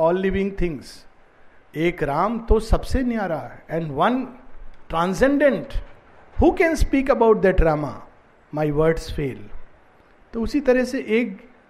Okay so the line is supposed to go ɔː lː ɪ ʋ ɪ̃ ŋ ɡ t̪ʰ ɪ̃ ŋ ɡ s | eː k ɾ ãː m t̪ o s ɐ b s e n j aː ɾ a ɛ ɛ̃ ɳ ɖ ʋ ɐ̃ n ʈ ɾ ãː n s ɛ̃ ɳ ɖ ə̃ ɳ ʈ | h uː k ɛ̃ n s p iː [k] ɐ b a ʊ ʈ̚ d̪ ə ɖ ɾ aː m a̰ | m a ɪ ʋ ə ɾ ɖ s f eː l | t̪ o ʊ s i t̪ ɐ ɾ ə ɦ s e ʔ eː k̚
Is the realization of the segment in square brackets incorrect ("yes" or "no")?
no